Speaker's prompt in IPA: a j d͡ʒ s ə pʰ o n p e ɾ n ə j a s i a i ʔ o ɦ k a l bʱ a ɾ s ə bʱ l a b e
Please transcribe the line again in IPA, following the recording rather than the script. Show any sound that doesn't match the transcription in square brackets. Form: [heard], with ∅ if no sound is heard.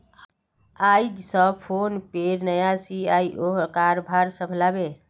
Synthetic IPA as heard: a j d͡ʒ s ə pʰ o n p e ɾ n ə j a s i a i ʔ o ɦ k a [ɾ] bʱ a ɾ s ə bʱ l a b e